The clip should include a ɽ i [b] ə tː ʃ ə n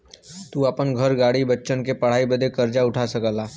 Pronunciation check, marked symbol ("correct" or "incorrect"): correct